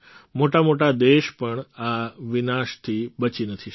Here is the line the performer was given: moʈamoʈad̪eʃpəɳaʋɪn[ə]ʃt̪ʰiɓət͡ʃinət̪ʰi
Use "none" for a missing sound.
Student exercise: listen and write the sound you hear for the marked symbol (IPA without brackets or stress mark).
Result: a